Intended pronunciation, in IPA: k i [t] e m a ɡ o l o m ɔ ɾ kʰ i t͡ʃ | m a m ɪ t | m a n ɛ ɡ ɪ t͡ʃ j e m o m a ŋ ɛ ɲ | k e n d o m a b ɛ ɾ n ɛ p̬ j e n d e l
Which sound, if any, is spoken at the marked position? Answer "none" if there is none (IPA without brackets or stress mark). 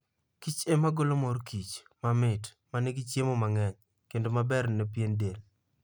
t͡ʃ